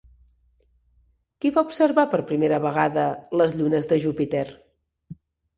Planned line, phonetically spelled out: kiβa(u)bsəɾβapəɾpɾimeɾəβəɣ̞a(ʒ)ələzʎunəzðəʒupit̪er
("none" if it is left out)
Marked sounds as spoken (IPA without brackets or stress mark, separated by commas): u, ð